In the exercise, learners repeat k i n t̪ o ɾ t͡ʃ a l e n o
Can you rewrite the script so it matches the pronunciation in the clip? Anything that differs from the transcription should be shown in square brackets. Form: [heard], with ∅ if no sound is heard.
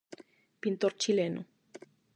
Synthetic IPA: [p] i n t̪ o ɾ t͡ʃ [i] l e n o